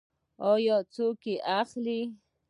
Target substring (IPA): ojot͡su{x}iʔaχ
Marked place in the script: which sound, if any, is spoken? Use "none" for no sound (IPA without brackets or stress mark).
k